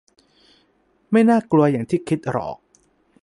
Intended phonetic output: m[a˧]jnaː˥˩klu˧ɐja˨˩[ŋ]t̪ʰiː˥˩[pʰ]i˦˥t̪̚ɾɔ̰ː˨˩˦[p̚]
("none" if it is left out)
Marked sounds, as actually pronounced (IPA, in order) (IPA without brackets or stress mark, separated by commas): a˥˩, ŋ, kʰ, k̚